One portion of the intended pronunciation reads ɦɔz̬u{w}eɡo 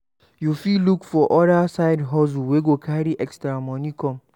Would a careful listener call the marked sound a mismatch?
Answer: no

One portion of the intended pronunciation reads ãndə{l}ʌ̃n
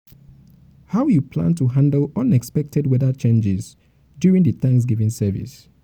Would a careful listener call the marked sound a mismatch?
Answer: no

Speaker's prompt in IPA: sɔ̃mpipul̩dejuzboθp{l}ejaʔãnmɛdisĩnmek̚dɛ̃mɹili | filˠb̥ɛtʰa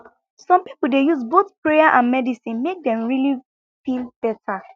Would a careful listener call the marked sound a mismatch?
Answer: yes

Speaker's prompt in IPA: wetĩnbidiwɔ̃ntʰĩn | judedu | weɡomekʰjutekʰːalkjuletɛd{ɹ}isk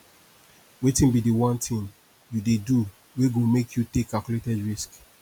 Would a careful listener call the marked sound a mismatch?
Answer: no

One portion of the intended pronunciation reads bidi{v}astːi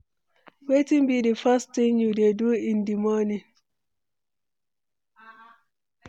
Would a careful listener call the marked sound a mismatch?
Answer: yes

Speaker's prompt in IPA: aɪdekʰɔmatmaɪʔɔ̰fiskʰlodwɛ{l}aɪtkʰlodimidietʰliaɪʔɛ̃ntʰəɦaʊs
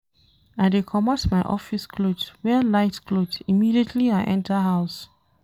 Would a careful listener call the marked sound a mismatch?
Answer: no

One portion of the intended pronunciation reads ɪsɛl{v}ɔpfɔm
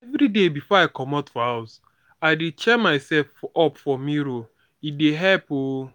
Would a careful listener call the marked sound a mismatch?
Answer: yes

